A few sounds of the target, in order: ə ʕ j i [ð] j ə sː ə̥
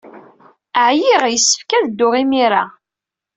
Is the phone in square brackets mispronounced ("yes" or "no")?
yes